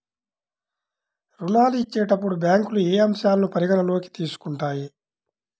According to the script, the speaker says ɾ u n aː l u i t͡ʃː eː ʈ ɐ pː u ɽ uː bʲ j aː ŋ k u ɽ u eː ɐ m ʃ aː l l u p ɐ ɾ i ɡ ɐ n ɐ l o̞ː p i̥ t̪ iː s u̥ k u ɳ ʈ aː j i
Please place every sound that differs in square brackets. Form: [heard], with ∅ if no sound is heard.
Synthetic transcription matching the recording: ɾ u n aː l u i t͡ʃː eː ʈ ɐ pː u ɽ [u] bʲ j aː ŋ k u [l] u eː ɐ m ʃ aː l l u p ɐ ɾ i ɡ ɐ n ɐ l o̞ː [k] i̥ t̪ iː s u̥ k u ɳ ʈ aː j i